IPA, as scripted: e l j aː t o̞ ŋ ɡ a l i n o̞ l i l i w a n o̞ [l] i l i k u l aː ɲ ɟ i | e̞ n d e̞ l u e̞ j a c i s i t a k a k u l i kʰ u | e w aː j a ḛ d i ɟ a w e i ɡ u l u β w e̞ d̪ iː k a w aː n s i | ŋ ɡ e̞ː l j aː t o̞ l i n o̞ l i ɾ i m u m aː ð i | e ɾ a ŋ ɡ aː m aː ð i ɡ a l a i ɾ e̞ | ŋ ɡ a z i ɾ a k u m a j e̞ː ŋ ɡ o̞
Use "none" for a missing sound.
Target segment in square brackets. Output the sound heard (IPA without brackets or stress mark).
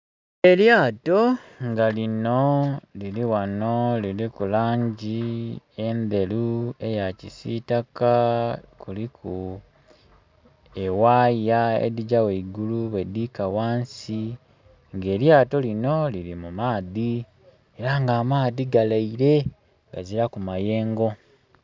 l